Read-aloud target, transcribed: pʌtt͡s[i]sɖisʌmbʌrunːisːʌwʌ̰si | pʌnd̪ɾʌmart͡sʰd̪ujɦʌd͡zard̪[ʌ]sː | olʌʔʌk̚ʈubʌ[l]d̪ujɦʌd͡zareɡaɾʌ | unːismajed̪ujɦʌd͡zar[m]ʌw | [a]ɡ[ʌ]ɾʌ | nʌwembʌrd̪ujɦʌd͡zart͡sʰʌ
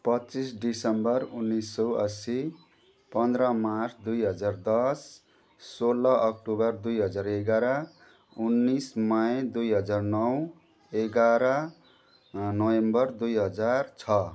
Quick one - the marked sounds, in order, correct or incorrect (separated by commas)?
correct, correct, incorrect, incorrect, incorrect, incorrect